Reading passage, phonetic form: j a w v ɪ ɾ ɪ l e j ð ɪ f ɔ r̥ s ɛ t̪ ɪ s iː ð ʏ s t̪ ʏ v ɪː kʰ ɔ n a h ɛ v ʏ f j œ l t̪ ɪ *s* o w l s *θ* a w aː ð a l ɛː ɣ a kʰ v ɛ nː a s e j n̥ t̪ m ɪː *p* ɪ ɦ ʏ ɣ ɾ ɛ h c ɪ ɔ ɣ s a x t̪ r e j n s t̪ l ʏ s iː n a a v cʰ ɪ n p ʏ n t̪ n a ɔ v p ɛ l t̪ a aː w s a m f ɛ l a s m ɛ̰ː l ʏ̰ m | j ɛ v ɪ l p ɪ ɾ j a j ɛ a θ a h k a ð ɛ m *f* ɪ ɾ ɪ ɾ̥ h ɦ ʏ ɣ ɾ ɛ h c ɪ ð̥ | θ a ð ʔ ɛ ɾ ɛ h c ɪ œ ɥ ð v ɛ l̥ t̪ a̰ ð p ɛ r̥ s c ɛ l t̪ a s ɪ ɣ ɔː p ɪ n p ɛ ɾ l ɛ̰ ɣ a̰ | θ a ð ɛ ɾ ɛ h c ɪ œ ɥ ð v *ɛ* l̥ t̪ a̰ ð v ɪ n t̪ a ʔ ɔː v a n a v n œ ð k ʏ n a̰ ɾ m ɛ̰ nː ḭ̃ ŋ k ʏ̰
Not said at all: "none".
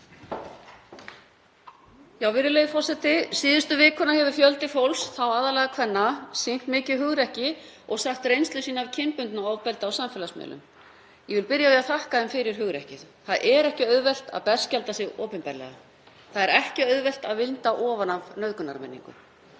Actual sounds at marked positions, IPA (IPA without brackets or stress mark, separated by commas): f, θ, c, f, ɛ